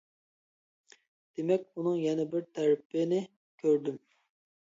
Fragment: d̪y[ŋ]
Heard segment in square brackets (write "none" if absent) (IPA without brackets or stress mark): m